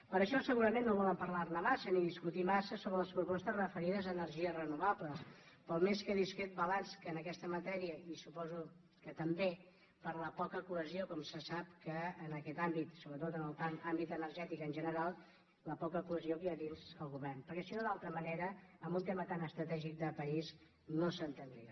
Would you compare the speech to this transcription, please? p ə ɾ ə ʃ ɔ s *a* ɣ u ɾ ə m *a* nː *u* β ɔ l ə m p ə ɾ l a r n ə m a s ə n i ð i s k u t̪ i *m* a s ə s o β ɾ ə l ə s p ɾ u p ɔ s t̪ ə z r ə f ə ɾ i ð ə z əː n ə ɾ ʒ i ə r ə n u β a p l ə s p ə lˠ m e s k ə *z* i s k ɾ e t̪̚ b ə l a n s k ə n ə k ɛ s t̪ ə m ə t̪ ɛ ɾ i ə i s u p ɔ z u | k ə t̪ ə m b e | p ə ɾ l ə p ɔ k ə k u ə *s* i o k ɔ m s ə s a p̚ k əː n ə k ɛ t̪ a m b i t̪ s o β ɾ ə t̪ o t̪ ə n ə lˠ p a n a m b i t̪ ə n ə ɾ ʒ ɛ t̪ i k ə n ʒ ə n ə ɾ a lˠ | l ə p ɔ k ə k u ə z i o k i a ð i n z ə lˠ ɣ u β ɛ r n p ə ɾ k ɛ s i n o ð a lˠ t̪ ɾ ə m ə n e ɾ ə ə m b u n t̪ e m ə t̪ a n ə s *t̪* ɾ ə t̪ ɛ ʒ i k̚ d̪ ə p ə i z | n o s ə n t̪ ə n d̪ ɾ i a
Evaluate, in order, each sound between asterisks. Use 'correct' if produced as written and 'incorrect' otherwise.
incorrect: ə, incorrect: e, incorrect: o, correct, incorrect: ð, incorrect: z, correct

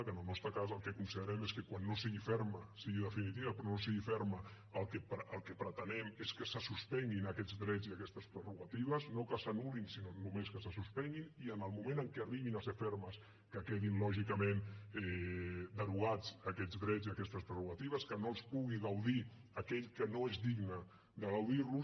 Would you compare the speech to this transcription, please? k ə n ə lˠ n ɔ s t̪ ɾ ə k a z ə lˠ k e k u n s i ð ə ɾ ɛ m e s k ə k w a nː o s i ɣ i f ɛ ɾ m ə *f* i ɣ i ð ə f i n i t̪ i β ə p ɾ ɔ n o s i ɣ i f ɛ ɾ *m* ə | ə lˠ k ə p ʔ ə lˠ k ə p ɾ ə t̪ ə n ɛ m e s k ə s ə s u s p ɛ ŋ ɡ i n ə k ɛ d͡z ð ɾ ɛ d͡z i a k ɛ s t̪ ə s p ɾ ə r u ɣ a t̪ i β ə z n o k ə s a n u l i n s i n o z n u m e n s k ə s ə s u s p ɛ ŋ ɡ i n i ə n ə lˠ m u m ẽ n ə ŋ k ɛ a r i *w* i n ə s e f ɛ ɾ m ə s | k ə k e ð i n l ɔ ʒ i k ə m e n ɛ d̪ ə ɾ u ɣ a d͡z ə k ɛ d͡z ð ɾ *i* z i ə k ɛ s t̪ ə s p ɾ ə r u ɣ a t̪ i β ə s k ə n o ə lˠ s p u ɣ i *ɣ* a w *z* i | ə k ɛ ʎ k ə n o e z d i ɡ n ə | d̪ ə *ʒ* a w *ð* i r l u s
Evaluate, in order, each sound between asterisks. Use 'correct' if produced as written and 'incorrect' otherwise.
incorrect: s, correct, incorrect: β, incorrect: ɛ, correct, incorrect: ð, incorrect: ɣ, correct

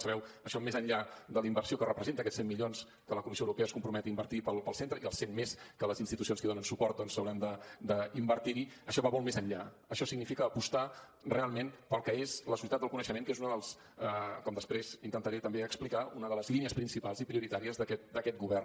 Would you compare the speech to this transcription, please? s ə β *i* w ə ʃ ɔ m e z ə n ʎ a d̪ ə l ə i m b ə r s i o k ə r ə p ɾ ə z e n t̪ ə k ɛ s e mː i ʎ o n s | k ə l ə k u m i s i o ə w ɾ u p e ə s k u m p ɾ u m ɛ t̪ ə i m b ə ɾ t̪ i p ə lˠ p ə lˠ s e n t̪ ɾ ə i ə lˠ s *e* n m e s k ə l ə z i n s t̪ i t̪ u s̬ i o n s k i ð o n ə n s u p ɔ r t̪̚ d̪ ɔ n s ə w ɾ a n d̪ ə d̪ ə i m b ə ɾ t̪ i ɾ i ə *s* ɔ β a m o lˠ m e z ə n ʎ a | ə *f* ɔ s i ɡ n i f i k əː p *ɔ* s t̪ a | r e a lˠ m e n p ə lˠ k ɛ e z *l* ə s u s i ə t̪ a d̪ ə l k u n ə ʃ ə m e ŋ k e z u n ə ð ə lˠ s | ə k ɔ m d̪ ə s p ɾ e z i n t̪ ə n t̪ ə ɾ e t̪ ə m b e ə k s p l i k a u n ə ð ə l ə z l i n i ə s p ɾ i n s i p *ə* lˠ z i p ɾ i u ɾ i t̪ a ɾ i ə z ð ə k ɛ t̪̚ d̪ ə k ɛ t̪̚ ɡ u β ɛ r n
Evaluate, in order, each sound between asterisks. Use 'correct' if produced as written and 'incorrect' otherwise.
incorrect: ɛ, correct, incorrect: ʃ, incorrect: ʃ, incorrect: u, correct, incorrect: a

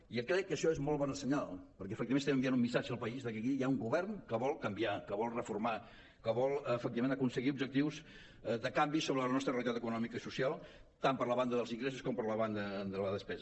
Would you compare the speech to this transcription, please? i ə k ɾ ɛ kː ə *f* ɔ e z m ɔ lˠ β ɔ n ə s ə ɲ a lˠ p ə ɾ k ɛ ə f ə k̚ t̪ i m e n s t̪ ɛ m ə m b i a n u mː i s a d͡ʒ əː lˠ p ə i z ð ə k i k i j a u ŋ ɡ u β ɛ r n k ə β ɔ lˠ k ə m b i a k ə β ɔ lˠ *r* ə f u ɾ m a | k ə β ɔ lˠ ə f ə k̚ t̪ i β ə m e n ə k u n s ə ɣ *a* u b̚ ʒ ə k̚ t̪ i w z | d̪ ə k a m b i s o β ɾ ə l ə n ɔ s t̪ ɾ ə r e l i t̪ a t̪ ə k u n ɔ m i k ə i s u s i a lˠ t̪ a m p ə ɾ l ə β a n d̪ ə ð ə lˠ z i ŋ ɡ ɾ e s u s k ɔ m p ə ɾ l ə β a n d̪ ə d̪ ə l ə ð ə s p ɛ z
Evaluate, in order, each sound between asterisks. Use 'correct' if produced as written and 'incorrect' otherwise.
incorrect: ʃ, correct, incorrect: i

